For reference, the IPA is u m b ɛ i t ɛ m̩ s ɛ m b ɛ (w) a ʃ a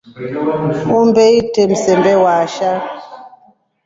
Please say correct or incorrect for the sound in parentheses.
correct